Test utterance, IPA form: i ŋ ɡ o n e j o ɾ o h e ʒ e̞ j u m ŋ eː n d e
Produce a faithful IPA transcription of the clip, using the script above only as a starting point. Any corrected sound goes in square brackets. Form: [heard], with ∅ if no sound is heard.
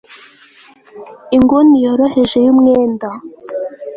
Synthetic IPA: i ŋ ɡ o n [i] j o ɾ o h e ʒ e̞ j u m ŋ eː n d [a]